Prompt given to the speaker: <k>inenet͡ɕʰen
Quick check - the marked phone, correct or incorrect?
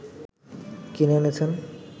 correct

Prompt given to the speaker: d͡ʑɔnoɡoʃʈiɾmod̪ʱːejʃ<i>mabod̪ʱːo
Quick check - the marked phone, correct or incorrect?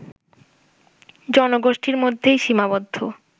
correct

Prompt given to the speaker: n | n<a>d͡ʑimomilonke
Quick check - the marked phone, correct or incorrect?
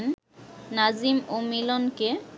correct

